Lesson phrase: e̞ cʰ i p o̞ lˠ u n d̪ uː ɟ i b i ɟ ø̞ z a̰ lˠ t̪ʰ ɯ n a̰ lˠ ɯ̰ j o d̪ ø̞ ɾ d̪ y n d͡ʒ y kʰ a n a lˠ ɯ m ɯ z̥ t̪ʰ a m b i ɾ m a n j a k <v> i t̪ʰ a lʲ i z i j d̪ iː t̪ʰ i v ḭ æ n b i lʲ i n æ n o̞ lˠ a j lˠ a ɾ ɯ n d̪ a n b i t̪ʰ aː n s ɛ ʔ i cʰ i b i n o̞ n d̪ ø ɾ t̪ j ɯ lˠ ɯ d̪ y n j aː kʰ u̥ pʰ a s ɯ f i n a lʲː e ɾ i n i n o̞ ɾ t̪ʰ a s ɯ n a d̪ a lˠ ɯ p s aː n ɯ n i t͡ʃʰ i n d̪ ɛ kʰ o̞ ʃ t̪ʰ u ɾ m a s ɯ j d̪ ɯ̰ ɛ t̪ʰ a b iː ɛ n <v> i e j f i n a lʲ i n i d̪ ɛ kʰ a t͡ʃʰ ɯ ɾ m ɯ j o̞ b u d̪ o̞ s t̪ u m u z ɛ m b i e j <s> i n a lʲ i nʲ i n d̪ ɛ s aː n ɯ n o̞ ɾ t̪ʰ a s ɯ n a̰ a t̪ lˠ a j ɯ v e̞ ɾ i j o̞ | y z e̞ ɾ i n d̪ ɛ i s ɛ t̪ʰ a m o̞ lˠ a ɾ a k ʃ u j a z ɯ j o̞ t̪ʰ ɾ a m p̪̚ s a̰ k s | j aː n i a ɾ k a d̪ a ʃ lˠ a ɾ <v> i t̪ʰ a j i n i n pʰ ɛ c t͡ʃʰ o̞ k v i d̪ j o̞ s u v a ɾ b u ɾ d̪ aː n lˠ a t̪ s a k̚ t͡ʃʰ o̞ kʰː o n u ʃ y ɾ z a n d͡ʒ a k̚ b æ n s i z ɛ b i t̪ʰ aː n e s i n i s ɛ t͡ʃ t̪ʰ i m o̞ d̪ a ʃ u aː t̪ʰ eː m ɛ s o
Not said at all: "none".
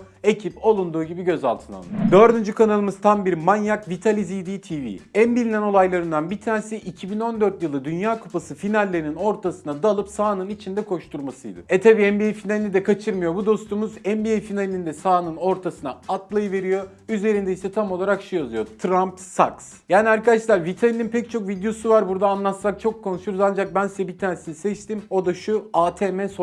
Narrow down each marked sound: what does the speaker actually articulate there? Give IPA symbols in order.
v, b, f, v

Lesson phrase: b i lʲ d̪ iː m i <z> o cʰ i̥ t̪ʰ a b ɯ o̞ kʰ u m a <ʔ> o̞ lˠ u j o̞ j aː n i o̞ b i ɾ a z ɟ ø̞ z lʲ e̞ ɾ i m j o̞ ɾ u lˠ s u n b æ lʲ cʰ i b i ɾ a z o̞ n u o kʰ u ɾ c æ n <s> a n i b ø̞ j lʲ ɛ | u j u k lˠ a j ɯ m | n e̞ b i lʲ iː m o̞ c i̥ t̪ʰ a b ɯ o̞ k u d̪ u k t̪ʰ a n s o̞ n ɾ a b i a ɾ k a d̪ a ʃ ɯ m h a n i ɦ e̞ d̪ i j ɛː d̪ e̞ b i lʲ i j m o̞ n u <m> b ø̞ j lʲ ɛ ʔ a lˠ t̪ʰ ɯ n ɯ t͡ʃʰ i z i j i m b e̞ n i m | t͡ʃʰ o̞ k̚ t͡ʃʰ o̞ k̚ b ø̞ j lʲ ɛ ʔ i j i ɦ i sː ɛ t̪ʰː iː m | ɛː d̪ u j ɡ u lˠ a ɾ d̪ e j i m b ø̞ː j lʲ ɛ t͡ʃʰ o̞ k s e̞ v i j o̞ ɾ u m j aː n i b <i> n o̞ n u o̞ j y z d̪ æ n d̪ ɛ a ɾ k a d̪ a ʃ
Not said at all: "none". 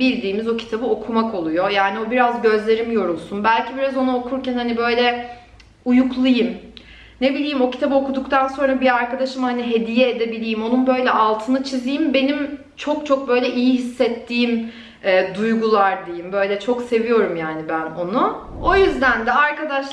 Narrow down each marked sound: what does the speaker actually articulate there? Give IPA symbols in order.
z, k, h, n, æ

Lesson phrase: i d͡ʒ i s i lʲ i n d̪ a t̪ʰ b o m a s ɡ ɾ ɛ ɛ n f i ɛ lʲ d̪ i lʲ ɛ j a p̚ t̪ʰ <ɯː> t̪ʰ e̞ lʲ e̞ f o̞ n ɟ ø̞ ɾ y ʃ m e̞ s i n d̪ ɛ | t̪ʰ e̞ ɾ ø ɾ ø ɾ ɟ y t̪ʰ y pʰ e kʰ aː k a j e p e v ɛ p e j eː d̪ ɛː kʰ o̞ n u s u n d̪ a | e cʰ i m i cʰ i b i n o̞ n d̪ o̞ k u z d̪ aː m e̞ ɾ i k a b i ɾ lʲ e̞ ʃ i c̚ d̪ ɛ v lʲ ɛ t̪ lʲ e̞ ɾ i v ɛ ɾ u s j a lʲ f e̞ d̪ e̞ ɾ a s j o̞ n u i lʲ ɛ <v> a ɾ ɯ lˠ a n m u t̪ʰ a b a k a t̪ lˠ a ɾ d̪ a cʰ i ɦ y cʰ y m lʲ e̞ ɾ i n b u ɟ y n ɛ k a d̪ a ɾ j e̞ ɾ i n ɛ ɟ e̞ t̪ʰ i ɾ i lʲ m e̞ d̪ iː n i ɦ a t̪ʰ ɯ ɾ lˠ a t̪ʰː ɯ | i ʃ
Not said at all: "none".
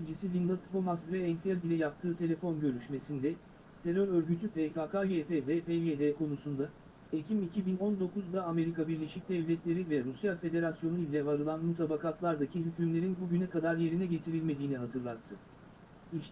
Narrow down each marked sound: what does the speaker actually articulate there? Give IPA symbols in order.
ɯː, v

